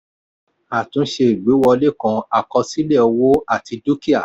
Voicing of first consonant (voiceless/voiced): voiceless